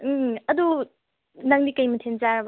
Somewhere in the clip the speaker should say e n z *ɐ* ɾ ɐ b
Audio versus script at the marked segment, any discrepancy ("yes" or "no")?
yes